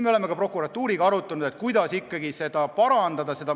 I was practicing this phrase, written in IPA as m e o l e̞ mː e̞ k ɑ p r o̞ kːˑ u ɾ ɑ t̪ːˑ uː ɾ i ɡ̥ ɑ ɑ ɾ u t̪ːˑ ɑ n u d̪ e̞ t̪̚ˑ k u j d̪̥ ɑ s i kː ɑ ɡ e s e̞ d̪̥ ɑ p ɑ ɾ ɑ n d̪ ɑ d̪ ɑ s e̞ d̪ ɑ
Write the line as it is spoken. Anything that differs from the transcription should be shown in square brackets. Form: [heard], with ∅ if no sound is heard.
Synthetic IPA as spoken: m e o l e̞ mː e̞ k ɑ p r o̞ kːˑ u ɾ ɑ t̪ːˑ uː ɾ i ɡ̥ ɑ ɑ ɾ u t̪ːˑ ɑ n u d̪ e̞ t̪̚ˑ k u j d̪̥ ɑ s i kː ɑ ɡ [i] s e̞ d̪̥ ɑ p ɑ ɾ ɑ n d̪ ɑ d̪ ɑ s e̞ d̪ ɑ